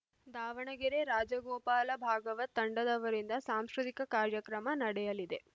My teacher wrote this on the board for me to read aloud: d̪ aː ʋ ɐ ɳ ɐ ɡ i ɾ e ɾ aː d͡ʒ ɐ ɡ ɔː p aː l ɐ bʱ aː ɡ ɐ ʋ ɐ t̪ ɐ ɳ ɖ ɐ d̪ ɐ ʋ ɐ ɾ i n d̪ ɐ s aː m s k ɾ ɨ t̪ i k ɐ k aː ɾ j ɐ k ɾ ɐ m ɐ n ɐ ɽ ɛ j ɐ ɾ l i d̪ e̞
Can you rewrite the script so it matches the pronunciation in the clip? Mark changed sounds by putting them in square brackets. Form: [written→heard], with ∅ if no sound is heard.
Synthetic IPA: d̪ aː ʋ ɐ ɳ ɐ ɡ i ɾ e ɾ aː d͡ʒ ɐ ɡ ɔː p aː l ɐ bʱ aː ɡ ɐ ʋ ɐ t̪ ɐ ɳ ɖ ɐ d̪ ɐ ʋ ɐ ɾ i n d̪ ɐ s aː m s k ɾ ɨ t̪ i k ɐ k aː ɾ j ɐ k ɾ ɐ m ɐ n ɐ ɽ ɛ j ɐ [ɾ→∅] l i d̪ e̞

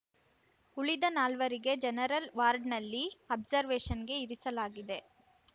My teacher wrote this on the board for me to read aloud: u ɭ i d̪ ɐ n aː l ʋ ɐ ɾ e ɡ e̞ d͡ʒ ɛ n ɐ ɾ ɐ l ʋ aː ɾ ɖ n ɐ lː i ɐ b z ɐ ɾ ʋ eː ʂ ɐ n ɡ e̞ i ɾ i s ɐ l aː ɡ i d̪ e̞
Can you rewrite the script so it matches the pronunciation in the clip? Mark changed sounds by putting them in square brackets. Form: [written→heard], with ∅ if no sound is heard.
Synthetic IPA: u ɭ i d̪ ɐ n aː l ʋ ɐ ɾ [e→i] ɡ e̞ d͡ʒ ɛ n ɐ ɾ ɐ l ʋ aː ɾ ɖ n ɐ lː i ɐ b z ɐ ɾ ʋ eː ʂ ɐ n ɡ e̞ i ɾ i s ɐ l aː ɡ i d̪ e̞

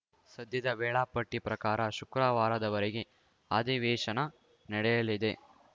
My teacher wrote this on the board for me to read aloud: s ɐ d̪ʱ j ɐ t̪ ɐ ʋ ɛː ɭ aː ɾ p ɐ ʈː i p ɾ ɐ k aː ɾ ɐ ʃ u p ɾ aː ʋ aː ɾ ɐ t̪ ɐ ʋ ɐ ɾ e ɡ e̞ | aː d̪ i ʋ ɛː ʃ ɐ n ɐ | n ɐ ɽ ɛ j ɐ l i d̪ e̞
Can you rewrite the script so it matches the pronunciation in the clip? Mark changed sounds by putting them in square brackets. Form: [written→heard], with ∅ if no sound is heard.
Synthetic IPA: s ɐ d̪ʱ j ɐ [t̪→d̪] ɐ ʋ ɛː ɭ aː [ɾ→∅] p ɐ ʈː i p ɾ ɐ k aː ɾ ɐ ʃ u [p→k] ɾ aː ʋ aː ɾ ɐ [t̪→d̪] ɐ ʋ ɐ ɾ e ɡ e̞ | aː d̪ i ʋ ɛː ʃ ɐ n ɐ | n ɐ ɽ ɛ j ɐ l i d̪ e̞

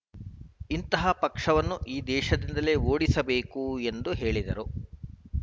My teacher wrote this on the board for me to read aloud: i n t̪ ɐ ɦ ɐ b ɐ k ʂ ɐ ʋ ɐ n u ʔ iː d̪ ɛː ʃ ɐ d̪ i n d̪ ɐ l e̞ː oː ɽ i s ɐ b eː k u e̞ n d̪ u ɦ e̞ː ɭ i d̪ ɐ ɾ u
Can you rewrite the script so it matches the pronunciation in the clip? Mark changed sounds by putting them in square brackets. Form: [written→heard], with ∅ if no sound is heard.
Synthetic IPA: i n t̪ ɐ ɦ ɐ [b→p] ɐ k ʂ ɐ ʋ ɐ [n→nː] u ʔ iː d̪ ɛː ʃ ɐ d̪ i n d̪ ɐ l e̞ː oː ɽ i s ɐ b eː k u e̞ n d̪ u ɦ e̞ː ɭ i d̪ ɐ ɾ u

